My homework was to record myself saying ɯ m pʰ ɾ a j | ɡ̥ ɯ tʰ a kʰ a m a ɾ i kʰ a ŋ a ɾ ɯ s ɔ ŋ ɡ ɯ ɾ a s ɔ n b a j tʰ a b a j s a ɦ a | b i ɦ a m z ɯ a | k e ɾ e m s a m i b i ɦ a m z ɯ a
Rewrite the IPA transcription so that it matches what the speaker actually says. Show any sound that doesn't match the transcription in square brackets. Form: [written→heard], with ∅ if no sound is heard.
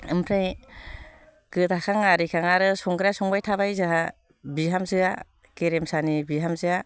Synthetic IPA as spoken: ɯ m pʰ ɾ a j | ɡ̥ ɯ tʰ a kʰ a [m→ŋ] a ɾ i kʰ a ŋ a ɾ ɯ s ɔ ŋ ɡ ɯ ɾ a s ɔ [n→ŋ] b a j tʰ a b a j [s→z] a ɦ a | b i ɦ a m z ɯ a | k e ɾ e m s a [m→n] i b i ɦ a m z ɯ a

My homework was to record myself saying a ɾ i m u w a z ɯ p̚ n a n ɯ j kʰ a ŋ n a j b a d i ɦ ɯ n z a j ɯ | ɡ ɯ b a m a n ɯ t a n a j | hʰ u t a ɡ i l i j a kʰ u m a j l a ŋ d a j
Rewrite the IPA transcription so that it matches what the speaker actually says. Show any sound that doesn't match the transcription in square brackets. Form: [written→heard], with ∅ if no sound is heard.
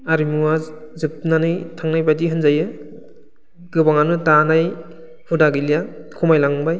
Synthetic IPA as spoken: a ɾ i m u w a z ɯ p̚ n a n ɯ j [kʰ→tʰ] a ŋ n a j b a d i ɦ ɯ n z a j ɯ | ɡ ɯ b a [m→ŋ] a n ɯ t a n a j | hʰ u [t→d] a ɡ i l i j a kʰ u m a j l a ŋ [d→b] a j

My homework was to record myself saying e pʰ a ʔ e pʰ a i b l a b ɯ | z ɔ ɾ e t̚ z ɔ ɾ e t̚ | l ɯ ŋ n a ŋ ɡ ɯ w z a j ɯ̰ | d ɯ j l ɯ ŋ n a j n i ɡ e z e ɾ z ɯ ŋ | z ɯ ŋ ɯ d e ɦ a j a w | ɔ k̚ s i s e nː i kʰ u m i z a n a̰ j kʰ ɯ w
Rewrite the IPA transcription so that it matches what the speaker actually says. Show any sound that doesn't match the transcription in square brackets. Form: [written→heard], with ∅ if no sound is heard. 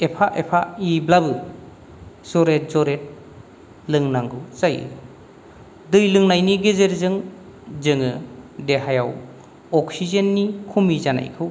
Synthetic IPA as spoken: e pʰ a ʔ e pʰ a i b l a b ɯ | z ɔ ɾ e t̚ z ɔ ɾ e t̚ | l ɯ ŋ n a ŋ ɡ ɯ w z a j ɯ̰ | d ɯ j l ɯ ŋ n a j n i ɡ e z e ɾ z ɯ ŋ | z ɯ ŋ ɯ d e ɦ a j a w | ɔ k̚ s i [s→z] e nː i kʰ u m i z a n a̰ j kʰ ɯ w

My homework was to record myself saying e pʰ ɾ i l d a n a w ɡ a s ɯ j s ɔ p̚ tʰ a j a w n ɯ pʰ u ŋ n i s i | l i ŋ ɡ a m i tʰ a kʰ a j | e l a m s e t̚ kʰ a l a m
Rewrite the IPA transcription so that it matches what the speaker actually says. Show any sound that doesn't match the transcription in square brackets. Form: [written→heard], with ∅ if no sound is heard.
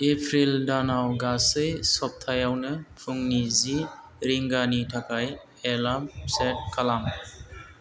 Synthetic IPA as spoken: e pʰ ɾ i l d a n a w ɡ a s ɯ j s ɔ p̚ tʰ a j a w n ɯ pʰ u ŋ n i [s→z] i | [l→ɾ] i ŋ ɡ a [m→n] i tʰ a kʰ a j | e l a m s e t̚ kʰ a l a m

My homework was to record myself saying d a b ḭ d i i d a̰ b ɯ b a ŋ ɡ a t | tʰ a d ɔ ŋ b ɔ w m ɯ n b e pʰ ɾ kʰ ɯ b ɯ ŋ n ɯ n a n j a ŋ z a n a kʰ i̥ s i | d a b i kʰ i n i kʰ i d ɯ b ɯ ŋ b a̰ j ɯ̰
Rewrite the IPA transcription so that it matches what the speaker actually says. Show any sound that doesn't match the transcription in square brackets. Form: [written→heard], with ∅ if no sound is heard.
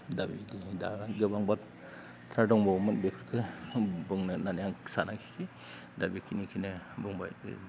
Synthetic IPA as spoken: d a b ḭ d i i d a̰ [b→ɡ] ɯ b a ŋ [ɡ→b] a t | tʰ a d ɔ ŋ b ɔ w m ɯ n b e pʰ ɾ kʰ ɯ b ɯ ŋ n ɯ n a n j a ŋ [z→s] a n a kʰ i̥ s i | d a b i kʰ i n i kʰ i [d→n] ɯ b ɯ ŋ b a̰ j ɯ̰

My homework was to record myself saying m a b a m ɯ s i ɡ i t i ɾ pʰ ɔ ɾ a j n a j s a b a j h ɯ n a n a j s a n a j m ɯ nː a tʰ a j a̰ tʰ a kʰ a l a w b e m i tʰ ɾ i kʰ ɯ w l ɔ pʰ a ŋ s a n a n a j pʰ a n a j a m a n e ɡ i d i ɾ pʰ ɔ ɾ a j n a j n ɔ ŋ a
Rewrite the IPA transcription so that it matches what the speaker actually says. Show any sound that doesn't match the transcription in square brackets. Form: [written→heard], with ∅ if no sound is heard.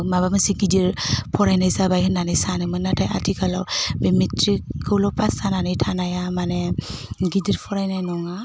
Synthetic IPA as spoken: m a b a m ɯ s i ɡ i [t→d] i ɾ pʰ ɔ ɾ a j n a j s a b a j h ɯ n a n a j s a n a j m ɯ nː a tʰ a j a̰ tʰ [a→i] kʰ a l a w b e m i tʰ ɾ i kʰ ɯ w l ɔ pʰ a [ŋ→∅] s a n a n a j [pʰ→tʰ] a n a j a m a n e ɡ i d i ɾ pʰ ɔ ɾ a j n a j n ɔ ŋ a

